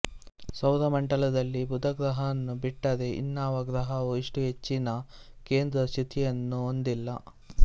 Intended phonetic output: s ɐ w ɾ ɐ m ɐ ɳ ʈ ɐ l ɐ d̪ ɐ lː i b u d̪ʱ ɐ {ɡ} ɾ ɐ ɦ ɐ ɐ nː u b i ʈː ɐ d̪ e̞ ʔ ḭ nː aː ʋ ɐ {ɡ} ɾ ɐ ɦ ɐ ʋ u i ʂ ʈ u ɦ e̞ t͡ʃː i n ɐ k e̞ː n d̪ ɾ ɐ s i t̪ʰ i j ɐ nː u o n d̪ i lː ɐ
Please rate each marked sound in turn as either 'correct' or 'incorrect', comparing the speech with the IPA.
correct, correct

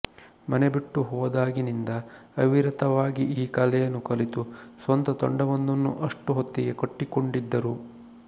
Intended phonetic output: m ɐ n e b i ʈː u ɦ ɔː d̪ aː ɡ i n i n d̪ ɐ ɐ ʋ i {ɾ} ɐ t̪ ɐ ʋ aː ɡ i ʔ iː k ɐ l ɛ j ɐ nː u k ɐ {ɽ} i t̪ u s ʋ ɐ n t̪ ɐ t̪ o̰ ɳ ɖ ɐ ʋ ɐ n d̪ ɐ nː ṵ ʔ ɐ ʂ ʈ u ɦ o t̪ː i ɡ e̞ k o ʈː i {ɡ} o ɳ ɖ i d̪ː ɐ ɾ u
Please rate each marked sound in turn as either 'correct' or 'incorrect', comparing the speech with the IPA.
correct, incorrect, incorrect

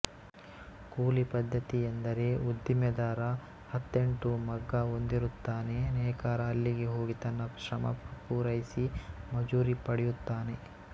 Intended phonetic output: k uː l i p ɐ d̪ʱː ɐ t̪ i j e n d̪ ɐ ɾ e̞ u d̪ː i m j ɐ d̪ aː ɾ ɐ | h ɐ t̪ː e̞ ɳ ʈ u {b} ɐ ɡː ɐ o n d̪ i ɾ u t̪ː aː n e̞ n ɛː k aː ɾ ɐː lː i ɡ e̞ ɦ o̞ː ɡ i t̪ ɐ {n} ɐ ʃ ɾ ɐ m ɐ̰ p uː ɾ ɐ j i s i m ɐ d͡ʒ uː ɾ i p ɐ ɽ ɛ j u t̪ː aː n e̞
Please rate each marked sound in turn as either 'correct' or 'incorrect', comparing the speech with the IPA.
incorrect, incorrect

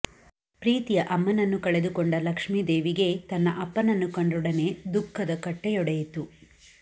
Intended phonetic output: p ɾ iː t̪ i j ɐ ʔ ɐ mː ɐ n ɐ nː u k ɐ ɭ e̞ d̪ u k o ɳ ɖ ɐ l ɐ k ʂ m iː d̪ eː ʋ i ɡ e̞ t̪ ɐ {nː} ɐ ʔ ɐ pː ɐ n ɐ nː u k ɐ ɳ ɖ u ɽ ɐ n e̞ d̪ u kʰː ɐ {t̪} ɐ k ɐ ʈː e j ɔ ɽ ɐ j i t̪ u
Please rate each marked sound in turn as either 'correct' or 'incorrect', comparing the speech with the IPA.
correct, incorrect

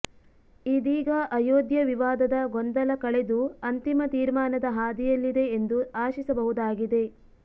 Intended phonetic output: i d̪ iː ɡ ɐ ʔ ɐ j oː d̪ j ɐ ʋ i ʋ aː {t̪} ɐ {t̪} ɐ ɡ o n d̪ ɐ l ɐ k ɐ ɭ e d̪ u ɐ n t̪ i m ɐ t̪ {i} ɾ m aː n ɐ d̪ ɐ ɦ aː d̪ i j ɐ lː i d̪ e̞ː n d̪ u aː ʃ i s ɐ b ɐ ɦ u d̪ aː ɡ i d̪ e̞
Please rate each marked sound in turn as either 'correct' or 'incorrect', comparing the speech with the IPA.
incorrect, incorrect, incorrect

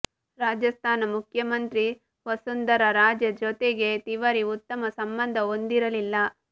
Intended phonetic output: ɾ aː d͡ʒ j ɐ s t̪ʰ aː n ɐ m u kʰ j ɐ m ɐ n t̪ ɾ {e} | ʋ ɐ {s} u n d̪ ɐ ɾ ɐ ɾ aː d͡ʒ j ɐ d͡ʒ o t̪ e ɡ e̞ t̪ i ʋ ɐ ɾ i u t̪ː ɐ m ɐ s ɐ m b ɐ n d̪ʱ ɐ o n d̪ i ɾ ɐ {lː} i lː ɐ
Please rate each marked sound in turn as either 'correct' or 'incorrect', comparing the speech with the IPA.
incorrect, correct, incorrect

